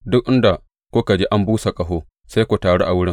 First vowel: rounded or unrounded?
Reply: rounded